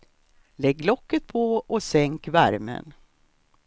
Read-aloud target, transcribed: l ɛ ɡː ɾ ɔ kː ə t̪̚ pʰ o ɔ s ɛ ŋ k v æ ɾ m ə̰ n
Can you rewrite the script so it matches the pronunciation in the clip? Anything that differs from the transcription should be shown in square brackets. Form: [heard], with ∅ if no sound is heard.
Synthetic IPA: l ɛ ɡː [l] ɔ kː ə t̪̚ pʰ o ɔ s ɛ ŋ k v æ ɾ m ə̰ n